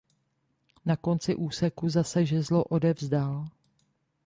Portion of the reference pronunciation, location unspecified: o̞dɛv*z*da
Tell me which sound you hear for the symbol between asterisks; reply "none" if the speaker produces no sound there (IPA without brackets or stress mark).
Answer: z